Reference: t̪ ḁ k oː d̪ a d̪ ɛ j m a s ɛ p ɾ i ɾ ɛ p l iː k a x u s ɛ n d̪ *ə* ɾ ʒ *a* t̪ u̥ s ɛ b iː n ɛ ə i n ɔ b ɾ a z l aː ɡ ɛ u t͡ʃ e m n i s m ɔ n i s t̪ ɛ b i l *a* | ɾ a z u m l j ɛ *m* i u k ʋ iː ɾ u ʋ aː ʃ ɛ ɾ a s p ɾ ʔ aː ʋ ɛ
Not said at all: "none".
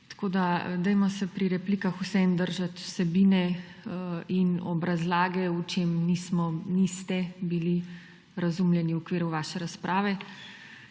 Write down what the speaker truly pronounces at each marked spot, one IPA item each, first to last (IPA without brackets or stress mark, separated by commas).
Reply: ə, a, i, n